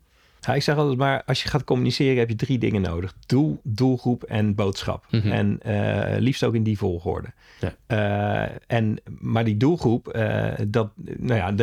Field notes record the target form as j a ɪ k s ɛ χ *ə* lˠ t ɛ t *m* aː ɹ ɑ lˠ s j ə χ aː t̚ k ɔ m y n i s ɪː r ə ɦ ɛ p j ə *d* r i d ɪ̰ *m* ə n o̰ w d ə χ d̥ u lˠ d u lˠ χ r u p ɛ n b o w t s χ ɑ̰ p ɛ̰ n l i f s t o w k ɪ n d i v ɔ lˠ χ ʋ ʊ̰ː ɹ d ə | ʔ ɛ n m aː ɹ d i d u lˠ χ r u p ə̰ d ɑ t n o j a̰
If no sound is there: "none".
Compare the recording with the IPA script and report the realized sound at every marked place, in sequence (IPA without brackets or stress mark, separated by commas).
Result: ɑ, m, d, ŋ